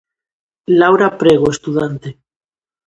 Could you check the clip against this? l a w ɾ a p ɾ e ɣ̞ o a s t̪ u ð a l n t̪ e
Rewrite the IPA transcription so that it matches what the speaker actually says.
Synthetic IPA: l a w ɾ a p ɾ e ɣ̞ o e s t̪ u ð a n t̪ e